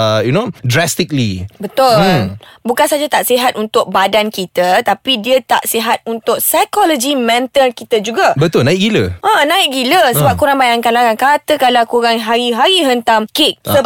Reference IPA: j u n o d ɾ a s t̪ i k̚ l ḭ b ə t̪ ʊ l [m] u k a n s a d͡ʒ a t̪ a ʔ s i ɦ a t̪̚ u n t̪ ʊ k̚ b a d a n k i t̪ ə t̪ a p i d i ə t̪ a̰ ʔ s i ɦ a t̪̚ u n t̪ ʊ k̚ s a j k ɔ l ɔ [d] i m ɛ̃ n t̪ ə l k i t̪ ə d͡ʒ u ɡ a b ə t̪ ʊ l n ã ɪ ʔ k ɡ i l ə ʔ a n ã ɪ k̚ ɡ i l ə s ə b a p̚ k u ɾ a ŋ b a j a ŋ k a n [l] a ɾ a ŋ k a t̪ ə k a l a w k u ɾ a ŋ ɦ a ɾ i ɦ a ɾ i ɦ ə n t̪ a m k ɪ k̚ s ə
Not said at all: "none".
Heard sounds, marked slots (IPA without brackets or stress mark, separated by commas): b, d͡ʒ, l